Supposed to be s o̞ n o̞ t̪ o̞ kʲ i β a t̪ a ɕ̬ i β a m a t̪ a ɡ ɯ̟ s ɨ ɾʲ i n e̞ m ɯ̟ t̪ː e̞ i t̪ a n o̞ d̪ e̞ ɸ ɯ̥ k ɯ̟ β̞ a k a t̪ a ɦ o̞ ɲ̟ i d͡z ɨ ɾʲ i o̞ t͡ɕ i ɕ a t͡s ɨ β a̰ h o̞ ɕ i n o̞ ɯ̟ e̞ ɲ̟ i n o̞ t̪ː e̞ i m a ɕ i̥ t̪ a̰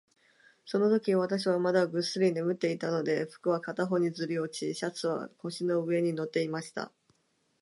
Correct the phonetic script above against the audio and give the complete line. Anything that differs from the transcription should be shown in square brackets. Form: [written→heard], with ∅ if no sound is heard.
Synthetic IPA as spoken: s o̞ n o̞ t̪ o̞ kʲ i β a t̪ a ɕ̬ i β a m a [t̪→d̪] a ɡ ɯ̟ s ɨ ɾʲ i n e̞ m ɯ̟ t̪ː e̞ i t̪ a n o̞ d̪ e̞ ɸ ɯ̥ k ɯ̟ β̞ a k a t̪ a ɦ o̞ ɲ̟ i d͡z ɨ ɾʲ i o̞ t͡ɕ i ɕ a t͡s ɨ β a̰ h o̞ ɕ i n o̞ ɯ̟ e̞ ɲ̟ i n o̞ t̪ː e̞ i m a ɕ i̥ t̪ a̰